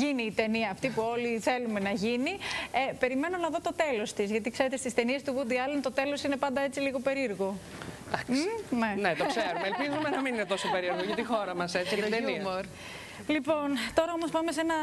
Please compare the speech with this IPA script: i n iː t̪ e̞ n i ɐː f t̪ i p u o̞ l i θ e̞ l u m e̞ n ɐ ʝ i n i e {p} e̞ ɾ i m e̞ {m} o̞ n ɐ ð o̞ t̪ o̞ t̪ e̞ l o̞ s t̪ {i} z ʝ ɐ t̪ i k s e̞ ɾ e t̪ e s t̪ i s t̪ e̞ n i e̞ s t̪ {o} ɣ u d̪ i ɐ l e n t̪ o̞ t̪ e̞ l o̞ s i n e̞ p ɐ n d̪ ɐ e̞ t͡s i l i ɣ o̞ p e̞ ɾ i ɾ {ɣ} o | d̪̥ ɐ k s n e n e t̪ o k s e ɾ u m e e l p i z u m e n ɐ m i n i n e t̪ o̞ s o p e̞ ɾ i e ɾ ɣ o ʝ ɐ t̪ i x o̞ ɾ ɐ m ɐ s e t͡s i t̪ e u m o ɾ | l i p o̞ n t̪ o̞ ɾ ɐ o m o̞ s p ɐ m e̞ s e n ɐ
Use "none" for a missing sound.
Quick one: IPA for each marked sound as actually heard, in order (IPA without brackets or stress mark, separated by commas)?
p, n, i, u, ɣ